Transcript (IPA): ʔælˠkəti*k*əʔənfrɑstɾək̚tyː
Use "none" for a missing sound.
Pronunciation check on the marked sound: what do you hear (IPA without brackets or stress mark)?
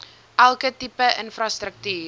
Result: p